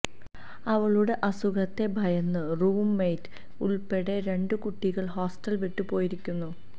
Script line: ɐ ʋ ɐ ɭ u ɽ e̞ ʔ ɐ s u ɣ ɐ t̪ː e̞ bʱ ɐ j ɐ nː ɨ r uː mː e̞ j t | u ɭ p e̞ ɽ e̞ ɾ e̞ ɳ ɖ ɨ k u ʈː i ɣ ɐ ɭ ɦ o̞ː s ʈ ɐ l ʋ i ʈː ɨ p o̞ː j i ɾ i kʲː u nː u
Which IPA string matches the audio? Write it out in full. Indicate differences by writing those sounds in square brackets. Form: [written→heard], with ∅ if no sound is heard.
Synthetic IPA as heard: ɐ ʋ ɐ ɭ u ɽ e̞ ʔ ɐ s u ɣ ɐ t̪ː e̞ bʱ ɐ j ɐ nː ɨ r uː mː e̞ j t | u ɭ p e̞ ɽ e̞ ɾ e̞ ɳ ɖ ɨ k u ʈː i ɣ ɐ ɭ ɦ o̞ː s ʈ ɐ l ʋ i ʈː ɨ p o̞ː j i ɾ i kʲː u nː u